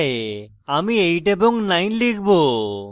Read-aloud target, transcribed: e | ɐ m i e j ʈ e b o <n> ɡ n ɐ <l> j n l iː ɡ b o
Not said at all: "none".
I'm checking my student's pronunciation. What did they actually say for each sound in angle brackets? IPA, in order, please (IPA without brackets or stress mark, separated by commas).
ŋ, none